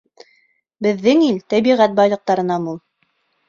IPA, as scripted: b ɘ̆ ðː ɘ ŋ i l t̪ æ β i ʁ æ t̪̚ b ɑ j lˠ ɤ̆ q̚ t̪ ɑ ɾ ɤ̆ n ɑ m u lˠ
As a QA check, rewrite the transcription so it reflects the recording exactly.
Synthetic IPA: b ɘ̆ ðː ɘ ŋ i l t̪ æ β i ʁ æ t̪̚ b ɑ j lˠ ɤ̆ q̚ t̪ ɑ ɾ ɤ̆ n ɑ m u lˠ